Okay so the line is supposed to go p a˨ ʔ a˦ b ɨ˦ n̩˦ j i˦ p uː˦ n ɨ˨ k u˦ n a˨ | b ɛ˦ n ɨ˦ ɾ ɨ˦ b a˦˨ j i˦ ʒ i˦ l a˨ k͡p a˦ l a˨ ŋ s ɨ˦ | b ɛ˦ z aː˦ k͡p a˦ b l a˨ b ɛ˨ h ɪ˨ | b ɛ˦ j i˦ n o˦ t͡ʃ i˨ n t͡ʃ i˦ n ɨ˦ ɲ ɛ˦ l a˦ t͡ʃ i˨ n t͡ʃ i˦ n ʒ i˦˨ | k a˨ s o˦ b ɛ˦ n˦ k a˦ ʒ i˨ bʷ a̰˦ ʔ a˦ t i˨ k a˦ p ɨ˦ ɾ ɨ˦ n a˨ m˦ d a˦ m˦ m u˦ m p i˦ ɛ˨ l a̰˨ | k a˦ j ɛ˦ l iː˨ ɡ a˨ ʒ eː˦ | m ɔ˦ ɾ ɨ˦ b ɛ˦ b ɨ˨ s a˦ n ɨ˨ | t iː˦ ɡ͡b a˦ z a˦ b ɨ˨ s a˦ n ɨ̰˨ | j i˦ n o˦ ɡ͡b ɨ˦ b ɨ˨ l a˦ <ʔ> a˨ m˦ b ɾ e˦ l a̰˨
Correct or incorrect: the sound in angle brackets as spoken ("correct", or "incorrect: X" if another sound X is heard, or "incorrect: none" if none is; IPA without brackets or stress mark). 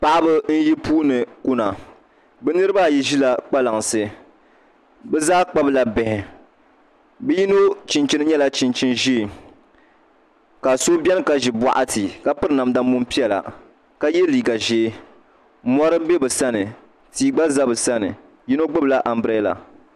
correct